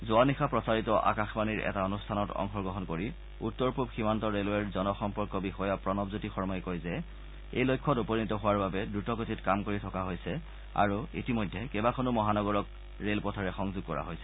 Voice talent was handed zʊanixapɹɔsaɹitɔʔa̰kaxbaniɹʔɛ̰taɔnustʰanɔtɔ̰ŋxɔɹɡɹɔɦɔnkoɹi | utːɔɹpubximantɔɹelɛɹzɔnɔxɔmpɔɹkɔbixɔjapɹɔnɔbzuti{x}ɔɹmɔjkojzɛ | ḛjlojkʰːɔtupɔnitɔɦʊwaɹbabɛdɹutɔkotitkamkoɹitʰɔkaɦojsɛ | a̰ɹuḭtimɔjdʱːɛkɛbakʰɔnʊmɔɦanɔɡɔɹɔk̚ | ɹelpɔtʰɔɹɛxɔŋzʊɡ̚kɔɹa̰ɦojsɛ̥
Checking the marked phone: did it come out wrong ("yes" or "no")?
no